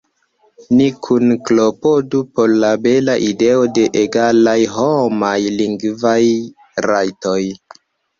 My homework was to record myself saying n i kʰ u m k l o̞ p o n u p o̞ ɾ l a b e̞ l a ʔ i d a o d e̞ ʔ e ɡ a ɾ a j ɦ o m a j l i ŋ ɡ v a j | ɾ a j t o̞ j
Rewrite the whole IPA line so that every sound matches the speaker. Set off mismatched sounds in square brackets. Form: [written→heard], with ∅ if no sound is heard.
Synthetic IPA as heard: n i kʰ u [m→n] k l o̞ p o [n→d] u p o̞ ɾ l a b e̞ l a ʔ i d [a→e] o d e̞ ʔ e ɡ a [ɾ→l] a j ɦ o m a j l i ŋ ɡ v a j | ɾ a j t o̞ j